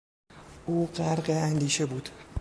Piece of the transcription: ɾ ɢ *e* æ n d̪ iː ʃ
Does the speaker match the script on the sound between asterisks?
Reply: yes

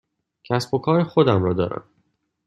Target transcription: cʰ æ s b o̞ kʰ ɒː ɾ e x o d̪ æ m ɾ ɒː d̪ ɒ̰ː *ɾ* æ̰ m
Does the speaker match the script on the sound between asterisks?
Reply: yes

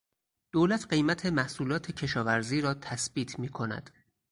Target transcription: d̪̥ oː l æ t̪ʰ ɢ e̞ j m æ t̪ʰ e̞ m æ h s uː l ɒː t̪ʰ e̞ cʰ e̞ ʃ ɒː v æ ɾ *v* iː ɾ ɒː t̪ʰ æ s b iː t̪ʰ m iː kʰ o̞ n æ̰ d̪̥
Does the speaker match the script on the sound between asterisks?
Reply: no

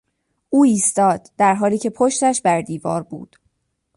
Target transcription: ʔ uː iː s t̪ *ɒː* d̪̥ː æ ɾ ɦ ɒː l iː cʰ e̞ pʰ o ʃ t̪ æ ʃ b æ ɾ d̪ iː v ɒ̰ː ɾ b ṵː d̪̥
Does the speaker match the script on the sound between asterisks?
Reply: yes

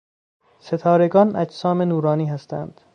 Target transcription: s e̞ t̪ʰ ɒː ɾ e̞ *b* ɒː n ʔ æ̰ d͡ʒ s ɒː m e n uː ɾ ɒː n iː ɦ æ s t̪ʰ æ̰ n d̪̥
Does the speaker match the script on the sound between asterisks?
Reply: no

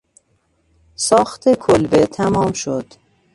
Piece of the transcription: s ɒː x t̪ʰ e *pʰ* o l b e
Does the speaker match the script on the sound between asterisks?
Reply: no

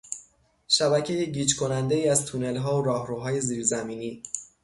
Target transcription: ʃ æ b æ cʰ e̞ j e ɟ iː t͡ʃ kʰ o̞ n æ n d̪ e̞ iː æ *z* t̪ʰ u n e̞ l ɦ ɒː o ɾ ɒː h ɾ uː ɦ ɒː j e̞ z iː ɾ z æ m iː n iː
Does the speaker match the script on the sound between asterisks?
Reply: yes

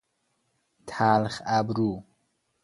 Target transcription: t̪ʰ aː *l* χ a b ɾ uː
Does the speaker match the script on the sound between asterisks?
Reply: yes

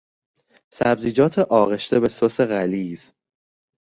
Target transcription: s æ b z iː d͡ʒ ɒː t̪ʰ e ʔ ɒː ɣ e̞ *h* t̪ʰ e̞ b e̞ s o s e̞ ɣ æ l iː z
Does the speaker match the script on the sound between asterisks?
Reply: no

